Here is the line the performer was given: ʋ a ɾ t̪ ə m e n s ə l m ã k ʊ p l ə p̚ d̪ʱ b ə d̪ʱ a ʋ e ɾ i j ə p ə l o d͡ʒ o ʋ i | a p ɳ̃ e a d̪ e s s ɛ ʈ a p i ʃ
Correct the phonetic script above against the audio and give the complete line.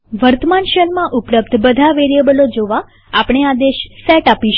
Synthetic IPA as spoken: ʋ ə ɾ t̪ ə m a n ʃ ə l m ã ʔ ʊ p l ə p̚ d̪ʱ b ə d̪ʱ a ʋ e ɾ i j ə b ə l o d͡ʒ o ʋ a | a p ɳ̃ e a d̪ e ʃ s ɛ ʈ a p i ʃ